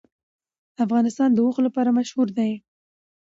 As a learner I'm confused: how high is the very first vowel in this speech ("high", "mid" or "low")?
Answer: low